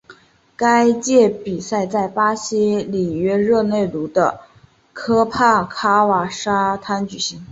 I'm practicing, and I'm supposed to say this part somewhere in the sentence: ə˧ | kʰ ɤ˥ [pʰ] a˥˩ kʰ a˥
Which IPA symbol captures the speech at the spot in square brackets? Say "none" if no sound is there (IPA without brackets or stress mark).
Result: pʰ